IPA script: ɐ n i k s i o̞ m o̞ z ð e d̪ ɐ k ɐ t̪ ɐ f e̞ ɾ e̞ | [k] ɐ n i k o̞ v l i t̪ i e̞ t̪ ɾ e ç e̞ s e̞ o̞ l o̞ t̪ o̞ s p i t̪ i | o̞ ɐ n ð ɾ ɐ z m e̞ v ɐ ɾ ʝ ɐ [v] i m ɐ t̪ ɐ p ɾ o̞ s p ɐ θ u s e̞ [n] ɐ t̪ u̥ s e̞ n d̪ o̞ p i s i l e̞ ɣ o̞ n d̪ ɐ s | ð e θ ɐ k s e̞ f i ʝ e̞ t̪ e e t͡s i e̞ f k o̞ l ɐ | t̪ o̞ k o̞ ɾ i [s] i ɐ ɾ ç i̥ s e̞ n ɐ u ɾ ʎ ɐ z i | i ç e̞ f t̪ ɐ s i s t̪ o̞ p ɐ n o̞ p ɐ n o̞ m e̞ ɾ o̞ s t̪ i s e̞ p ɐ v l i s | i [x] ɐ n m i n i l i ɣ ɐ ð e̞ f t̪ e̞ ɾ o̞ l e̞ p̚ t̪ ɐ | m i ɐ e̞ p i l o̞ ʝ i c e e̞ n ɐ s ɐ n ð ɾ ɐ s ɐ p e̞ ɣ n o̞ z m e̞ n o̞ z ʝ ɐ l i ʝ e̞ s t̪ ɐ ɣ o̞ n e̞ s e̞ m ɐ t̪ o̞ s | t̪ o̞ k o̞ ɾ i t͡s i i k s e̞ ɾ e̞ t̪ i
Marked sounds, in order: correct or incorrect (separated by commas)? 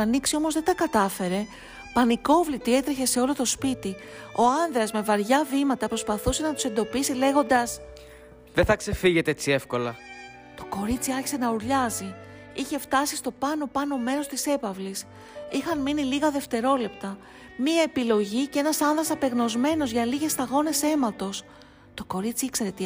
incorrect, correct, correct, incorrect, correct